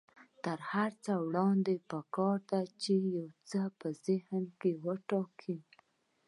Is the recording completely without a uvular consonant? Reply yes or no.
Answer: yes